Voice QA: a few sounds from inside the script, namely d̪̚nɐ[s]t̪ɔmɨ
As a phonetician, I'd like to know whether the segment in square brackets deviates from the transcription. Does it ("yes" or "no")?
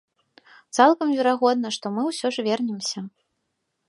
yes